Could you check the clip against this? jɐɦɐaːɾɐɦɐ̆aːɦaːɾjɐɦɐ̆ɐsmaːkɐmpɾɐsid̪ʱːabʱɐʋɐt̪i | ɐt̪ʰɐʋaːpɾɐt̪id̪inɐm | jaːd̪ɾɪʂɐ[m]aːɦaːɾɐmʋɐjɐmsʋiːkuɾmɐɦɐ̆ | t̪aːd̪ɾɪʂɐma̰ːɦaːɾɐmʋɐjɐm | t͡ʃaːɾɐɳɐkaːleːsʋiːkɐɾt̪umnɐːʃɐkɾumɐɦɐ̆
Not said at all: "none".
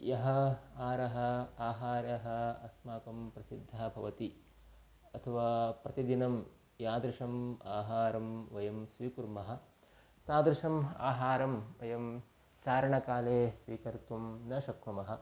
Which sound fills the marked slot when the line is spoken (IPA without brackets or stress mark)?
m